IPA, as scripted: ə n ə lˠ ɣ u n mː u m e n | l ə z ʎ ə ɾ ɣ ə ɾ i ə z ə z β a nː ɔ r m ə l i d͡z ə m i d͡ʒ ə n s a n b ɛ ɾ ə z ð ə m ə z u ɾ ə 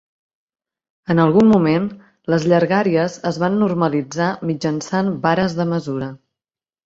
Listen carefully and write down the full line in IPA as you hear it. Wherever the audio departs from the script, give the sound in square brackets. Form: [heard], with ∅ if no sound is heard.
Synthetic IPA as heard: ə n ə lˠ ɣ u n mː u m e n | l ə z ʎ ə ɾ ɣ [a] ɾ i ə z ə z β a nː [u] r m ə l i d͡z [a] m i d͡ʒ ə n s a n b [a] ɾ ə z ð ə m ə z u ɾ ə